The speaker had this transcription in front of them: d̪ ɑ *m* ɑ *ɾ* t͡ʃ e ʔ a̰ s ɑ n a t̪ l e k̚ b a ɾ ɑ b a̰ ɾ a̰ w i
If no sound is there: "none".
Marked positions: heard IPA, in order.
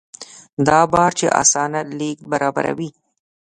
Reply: b, ɾ

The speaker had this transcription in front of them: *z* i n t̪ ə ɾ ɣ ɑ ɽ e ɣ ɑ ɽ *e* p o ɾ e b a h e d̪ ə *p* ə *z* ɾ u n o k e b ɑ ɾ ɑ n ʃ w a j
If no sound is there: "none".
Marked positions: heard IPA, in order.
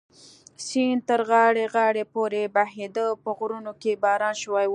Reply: s, e, p, ɣ

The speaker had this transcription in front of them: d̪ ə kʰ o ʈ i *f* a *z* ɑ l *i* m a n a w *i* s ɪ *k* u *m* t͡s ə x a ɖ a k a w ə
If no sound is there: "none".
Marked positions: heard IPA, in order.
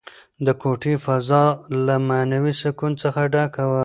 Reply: f, z, a, i, k, n

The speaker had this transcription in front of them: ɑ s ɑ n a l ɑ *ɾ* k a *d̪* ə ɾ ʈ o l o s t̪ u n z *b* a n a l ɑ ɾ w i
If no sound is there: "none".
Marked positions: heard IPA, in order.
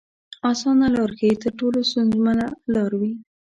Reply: ɾ, t̪, m

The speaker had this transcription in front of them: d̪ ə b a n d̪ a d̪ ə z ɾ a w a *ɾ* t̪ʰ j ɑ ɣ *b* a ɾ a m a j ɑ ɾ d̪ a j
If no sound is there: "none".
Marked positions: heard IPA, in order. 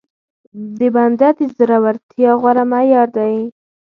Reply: ɾ, w

